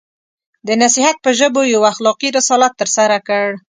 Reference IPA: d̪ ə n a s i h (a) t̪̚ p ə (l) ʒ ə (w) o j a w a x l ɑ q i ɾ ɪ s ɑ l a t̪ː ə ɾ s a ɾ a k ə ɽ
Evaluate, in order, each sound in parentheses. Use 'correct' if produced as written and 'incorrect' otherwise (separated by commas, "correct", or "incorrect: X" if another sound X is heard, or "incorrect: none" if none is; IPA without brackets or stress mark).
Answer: correct, incorrect: none, incorrect: b